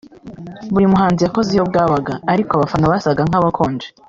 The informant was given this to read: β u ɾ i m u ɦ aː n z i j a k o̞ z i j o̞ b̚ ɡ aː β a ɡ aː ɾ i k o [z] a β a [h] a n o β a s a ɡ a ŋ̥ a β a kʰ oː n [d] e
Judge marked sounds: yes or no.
no, no, no

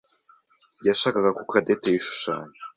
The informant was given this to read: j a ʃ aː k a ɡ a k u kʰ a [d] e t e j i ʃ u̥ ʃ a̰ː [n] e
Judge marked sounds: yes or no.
yes, no

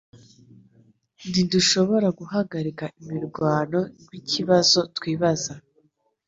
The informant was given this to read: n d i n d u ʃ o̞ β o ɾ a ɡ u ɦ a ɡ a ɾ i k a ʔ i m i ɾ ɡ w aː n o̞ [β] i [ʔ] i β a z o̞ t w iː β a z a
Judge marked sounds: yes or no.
no, no

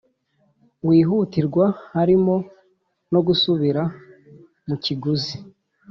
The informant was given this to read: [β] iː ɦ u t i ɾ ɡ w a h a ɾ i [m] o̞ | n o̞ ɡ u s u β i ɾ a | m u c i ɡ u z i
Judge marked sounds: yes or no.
no, yes

